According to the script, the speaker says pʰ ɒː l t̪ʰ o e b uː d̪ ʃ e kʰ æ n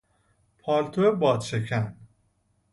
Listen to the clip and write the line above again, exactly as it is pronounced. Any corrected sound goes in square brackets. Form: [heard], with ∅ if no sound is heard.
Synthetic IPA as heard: pʰ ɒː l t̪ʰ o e b [ɒː] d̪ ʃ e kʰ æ n